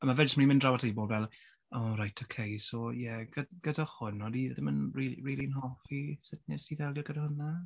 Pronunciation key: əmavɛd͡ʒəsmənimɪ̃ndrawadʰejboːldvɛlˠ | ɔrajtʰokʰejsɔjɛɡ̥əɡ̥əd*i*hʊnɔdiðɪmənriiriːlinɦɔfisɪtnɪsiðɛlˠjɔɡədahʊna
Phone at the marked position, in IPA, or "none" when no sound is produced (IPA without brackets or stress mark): a